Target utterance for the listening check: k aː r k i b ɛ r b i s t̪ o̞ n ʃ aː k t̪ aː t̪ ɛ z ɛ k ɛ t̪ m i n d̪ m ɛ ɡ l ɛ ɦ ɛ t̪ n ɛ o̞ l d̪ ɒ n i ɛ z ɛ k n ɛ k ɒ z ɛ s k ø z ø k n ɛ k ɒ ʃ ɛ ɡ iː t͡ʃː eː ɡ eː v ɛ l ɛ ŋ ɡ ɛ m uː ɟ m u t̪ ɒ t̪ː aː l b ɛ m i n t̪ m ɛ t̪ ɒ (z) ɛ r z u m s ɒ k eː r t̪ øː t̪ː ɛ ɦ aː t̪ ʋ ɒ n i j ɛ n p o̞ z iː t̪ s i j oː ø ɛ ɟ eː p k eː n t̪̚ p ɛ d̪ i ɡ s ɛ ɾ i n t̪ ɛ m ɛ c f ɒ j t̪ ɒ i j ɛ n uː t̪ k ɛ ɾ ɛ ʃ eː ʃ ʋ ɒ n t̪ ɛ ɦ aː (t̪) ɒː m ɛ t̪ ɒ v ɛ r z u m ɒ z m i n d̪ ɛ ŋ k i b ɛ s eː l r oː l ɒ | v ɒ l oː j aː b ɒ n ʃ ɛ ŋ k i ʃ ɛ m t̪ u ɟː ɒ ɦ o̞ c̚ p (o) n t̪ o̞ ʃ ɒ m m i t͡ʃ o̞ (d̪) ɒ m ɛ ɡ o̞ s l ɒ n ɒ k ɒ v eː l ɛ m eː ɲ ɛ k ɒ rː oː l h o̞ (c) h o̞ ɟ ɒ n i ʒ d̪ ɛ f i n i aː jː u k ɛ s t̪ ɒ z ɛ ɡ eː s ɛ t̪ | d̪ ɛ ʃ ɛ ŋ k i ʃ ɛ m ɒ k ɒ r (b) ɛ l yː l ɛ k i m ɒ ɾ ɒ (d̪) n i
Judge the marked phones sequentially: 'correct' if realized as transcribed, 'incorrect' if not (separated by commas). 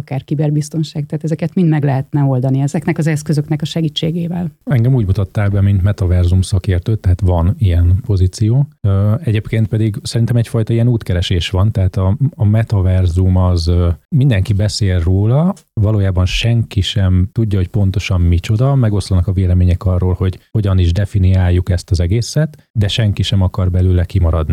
incorrect, correct, correct, correct, incorrect, correct, correct